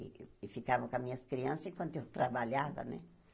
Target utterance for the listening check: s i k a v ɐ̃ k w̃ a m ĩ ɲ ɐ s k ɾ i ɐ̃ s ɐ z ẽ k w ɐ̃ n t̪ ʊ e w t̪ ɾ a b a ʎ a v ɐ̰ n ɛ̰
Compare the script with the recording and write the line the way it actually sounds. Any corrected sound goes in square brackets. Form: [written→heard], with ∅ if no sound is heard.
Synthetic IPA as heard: [s→f] i k a v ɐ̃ k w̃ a m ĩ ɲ ɐ s k ɾ i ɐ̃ s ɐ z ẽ k w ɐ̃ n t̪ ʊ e w t̪ ɾ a b a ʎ a v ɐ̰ n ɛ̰